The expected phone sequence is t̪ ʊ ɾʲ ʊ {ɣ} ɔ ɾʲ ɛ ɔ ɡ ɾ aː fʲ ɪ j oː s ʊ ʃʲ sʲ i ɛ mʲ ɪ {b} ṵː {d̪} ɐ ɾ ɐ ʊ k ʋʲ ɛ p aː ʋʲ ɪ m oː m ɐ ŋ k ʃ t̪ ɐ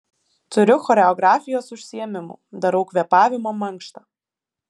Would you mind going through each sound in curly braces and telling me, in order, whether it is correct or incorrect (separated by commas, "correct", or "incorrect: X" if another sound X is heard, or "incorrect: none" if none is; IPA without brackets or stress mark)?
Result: incorrect: x, incorrect: m, correct